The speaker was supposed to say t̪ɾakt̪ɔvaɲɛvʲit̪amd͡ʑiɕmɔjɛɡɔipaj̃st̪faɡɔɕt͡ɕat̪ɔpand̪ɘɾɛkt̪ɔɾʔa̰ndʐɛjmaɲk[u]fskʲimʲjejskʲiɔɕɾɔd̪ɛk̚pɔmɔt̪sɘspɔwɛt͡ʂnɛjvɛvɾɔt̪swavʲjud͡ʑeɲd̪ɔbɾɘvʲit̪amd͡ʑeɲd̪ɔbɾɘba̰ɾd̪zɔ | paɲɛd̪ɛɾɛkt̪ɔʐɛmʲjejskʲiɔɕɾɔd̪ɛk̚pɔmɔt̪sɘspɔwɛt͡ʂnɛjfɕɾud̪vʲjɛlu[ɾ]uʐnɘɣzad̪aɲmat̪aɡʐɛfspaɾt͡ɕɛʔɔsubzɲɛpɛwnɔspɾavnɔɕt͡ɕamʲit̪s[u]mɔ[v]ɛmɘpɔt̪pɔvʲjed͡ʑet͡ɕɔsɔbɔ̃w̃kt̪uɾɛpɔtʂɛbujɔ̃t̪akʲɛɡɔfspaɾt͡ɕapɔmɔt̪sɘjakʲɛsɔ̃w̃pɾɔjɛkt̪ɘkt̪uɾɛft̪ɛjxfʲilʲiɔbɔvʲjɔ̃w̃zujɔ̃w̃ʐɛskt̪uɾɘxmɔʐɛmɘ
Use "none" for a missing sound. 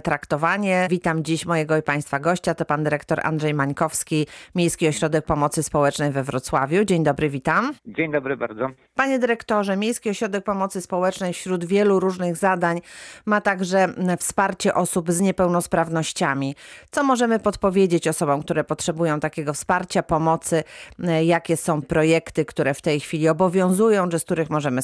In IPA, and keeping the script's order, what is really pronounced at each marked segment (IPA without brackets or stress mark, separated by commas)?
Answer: ɔ, ɾ, ɔ, ʐ